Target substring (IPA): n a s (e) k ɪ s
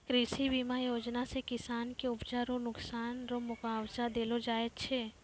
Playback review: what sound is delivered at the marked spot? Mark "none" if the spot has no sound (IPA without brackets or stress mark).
e